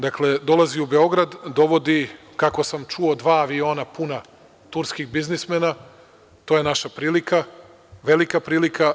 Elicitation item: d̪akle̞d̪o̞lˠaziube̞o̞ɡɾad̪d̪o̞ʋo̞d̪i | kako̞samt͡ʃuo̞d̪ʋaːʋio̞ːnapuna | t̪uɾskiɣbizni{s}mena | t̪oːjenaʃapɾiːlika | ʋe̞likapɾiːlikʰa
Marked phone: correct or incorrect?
correct